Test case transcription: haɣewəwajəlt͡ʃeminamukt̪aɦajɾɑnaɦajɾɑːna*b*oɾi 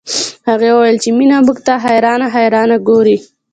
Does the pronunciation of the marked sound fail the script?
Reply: yes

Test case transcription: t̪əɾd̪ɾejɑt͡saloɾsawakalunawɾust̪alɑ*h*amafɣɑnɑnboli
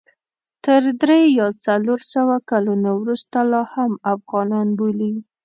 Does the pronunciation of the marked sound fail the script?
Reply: no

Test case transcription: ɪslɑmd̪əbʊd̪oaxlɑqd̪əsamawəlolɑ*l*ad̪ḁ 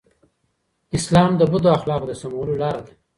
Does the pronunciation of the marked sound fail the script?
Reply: yes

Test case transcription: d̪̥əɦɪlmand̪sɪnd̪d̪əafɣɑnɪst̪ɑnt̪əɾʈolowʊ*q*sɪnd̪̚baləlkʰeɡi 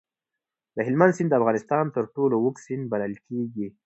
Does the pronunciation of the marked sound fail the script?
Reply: yes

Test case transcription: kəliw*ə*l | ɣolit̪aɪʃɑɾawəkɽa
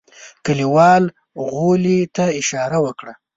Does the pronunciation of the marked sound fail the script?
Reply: yes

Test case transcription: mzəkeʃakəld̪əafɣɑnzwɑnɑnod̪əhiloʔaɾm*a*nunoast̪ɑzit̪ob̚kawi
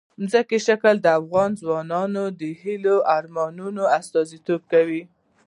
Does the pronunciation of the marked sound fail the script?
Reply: yes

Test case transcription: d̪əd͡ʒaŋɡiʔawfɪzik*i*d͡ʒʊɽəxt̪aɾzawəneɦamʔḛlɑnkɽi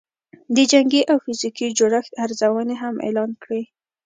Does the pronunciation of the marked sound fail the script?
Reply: no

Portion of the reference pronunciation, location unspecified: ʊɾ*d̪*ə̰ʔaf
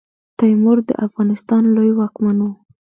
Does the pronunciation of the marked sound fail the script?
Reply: no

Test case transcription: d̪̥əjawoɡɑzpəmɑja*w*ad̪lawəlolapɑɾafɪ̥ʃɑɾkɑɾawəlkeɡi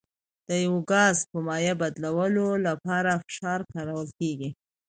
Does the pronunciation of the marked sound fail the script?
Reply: yes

